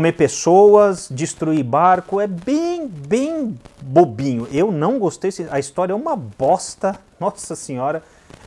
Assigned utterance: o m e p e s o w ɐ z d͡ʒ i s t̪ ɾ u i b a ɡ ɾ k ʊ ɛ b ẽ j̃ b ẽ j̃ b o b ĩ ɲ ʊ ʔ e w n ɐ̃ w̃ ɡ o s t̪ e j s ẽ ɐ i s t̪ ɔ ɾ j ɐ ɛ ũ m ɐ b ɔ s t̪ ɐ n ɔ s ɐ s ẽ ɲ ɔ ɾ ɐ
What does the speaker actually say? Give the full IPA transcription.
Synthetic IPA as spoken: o m e p e s o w ɐ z d͡ʒ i s t̪ ɾ u i b a ɾ k ʊ ɛ b ẽ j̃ b ẽ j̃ b o b ĩ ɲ ʊ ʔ e w n ɐ̃ w̃ ɡ o s t̪ e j s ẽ ɐ i s t̪ ɔ ɾ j ɐ ɛ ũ m ɐ b ɔ s t̪ ɐ n ɔ s ɐ s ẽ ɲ ɔ ɾ ɐ